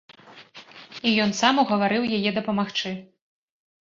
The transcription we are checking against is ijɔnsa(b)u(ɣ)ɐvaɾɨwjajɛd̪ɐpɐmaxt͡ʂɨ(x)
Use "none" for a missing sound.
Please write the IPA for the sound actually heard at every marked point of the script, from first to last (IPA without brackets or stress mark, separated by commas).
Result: m, ɣ, none